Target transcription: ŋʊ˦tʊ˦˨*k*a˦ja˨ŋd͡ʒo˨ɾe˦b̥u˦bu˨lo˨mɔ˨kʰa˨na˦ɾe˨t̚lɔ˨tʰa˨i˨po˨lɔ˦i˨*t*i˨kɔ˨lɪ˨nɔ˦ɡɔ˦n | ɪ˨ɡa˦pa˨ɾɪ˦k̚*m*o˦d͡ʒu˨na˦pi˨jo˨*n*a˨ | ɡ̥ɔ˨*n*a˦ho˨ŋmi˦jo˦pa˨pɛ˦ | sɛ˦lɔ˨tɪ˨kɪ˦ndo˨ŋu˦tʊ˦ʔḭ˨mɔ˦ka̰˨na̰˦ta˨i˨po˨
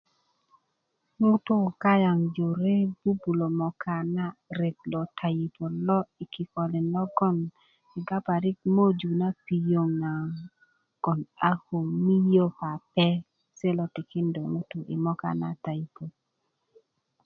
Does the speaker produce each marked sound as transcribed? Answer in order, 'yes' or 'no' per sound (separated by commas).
yes, no, yes, no, yes